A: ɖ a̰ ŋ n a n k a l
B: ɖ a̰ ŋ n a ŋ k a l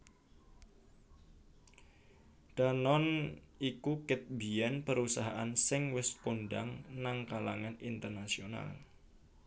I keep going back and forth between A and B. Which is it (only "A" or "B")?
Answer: B